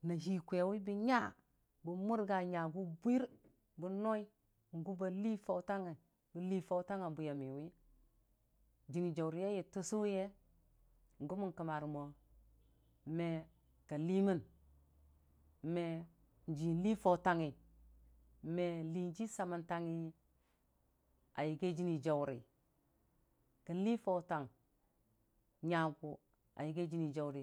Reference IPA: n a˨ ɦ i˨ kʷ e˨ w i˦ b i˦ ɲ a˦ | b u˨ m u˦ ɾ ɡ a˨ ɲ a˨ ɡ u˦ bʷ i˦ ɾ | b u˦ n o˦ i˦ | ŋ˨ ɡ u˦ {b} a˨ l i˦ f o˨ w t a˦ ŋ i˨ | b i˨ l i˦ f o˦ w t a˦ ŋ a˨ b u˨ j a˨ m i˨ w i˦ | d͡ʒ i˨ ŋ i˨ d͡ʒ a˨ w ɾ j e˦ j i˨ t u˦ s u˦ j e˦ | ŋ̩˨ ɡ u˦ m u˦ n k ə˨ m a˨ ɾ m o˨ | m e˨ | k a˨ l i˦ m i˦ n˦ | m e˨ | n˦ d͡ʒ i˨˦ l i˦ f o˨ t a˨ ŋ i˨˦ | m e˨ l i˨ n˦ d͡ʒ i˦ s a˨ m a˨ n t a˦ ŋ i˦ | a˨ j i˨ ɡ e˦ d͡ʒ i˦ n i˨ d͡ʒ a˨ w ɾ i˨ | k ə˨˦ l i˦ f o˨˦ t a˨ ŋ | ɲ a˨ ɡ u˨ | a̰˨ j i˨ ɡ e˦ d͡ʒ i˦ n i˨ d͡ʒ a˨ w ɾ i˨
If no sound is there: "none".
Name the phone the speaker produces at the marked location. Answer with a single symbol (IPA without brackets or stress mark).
b